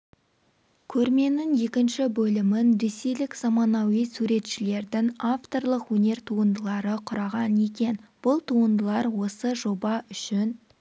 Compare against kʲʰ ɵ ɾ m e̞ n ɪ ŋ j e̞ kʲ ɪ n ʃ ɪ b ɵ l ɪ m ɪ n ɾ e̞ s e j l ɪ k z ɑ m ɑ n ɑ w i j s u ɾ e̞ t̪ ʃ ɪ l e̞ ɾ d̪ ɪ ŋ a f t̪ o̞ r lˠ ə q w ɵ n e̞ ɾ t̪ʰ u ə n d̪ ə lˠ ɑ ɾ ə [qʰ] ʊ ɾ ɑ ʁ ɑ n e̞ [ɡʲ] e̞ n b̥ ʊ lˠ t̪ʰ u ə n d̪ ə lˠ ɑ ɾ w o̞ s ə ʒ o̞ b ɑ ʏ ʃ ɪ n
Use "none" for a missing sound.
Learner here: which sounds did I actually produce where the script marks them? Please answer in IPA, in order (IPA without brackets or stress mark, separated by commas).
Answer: qʰ, kʲ